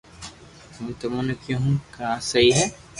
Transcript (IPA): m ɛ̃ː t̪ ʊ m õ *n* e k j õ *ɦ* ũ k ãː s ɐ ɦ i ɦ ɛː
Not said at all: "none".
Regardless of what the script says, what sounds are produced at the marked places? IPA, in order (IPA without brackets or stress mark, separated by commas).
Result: n, ɦ